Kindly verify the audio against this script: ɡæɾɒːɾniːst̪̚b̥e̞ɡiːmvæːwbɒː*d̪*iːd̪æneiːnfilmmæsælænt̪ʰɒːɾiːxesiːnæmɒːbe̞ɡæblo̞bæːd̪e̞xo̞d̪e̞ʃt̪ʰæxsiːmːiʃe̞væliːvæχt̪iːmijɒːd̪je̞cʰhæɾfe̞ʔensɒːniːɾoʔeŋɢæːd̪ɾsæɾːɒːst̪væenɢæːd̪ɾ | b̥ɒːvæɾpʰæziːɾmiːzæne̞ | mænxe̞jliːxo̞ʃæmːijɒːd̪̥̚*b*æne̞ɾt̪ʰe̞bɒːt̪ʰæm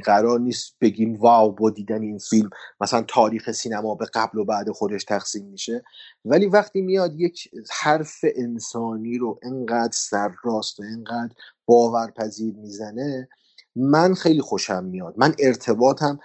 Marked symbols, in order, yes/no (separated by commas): yes, no